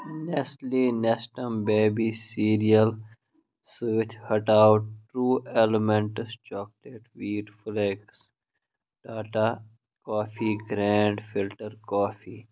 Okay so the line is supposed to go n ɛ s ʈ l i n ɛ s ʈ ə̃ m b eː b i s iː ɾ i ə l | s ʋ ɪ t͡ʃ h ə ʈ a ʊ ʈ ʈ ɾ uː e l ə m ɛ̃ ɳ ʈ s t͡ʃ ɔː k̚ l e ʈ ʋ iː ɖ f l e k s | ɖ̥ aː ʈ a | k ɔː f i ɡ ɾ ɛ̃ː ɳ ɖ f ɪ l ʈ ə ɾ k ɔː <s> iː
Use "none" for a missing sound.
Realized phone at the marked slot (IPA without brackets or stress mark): f